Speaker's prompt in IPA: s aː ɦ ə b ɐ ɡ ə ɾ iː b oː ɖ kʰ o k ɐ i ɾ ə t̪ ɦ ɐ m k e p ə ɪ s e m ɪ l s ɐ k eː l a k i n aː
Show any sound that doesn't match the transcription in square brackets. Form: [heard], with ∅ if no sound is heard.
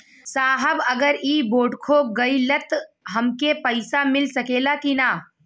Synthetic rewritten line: s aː ɦ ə b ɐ ɡ ə ɾ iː b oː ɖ kʰ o [ɡ] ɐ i [l] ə t̪ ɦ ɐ m k e p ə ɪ s [a] m ɪ l s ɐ k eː l a k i n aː